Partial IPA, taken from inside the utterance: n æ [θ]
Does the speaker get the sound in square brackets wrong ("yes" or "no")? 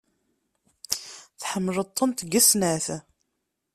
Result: no